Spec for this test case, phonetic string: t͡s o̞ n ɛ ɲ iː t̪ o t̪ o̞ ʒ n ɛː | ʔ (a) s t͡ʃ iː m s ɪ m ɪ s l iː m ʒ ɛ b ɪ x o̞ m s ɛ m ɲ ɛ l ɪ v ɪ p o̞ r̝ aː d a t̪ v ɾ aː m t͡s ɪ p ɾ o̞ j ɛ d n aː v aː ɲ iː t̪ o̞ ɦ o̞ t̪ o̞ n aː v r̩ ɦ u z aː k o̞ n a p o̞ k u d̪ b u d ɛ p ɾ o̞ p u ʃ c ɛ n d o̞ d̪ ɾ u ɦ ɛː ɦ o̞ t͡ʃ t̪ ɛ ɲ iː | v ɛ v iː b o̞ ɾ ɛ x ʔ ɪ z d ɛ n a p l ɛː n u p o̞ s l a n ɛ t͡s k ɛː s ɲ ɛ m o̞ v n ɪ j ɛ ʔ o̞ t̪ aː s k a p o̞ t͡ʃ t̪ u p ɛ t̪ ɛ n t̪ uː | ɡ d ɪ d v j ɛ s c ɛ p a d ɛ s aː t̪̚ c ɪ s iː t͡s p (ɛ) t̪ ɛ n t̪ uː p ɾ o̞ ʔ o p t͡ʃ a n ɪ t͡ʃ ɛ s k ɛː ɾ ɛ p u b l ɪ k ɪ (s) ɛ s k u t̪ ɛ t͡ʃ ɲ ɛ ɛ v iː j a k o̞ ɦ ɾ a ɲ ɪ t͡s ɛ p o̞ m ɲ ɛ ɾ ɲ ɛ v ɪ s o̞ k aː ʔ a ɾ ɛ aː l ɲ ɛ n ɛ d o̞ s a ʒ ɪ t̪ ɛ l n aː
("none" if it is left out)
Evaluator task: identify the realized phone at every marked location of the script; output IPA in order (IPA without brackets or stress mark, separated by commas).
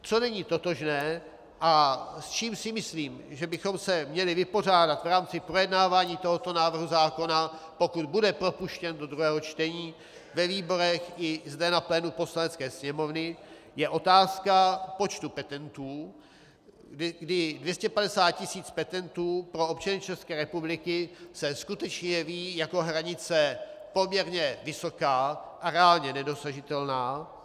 a, ɛ, s